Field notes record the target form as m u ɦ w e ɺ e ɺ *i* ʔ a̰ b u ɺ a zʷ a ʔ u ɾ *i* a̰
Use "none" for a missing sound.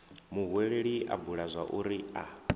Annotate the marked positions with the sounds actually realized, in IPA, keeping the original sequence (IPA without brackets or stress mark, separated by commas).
i, i